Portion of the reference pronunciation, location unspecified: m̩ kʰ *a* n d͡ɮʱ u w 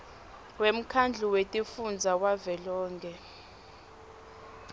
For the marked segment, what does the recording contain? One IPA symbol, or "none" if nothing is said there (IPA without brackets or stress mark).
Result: a